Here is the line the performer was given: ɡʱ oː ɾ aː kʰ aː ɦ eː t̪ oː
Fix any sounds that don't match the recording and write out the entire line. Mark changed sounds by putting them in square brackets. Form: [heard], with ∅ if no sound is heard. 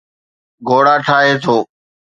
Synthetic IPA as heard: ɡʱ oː [ɽ] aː [ʈʰ] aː ɦ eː [t̪ʰ] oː